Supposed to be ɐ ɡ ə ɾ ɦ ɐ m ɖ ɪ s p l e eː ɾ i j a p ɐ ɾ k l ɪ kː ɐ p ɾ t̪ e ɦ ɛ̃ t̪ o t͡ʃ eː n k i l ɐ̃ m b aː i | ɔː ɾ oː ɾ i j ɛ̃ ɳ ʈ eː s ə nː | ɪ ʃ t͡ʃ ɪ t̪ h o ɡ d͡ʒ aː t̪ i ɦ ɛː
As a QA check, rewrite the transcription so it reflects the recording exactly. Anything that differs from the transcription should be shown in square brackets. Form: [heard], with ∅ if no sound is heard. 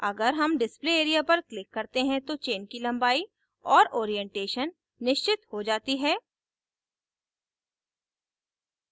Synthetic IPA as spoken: ɐ ɡ ə ɾ ɦ ɐ m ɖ ɪ s p l e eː ɾ i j a p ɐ ɾ k l ɪ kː ɐ [∅] ɾ t̪ e ɦ ɛ̃ t̪ o t͡ʃ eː n k i l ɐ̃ m b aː i | ɔː ɾ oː ɾ i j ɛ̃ ɳ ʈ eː [ʃ] ə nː | ɪ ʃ t͡ʃ ɪ t̪ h o [∅] d͡ʒ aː t̪ i ɦ ɛː